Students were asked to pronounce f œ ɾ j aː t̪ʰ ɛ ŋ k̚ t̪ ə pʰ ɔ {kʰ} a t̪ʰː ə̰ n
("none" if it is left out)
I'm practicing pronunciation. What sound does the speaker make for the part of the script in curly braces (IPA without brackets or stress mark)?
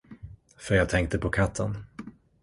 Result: kʰ